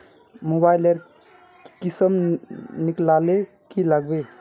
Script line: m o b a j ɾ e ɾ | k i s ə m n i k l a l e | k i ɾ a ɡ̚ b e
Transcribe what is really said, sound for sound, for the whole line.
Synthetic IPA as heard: m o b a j l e ɾ | k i s ə m n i k l a l e | k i l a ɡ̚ b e